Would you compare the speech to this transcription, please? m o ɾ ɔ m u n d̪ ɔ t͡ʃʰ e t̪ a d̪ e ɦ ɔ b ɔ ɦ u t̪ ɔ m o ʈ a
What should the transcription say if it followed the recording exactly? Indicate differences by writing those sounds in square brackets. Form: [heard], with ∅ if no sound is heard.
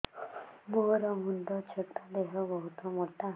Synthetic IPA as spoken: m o ɾ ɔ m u n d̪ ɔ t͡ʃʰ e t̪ a d̪ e ɦ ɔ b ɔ ɦ u t̪ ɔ m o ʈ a